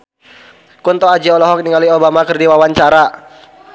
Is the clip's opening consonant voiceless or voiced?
voiceless